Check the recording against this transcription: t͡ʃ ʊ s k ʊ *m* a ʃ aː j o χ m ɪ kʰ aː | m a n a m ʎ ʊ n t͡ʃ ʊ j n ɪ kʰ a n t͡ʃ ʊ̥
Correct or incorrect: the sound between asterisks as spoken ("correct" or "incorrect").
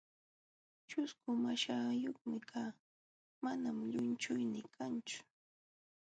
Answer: correct